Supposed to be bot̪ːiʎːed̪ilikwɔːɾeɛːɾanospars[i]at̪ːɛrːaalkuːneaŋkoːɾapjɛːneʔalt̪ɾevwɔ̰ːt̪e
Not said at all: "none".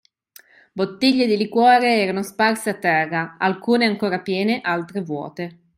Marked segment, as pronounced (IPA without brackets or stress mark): e